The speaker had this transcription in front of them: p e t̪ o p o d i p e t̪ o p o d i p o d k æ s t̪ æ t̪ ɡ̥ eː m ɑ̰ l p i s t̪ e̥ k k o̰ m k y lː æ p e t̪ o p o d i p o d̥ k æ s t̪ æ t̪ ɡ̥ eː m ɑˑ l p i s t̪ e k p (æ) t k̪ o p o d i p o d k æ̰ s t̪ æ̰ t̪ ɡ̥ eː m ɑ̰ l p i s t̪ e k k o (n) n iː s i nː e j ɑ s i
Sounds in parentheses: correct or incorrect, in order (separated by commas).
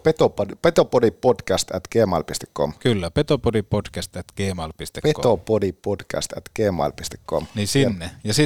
incorrect, incorrect